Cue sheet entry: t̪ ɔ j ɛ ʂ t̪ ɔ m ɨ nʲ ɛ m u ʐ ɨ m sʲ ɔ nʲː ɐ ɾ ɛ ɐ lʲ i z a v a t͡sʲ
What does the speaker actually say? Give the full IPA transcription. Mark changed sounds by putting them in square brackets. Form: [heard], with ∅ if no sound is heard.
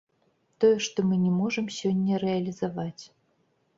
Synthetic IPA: t̪ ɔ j ɛ ʂ t̪ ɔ m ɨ nʲ ɛ m [ɔ] ʐ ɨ m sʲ ɔ nʲː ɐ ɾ ɛ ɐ lʲ i z a v a t͡sʲ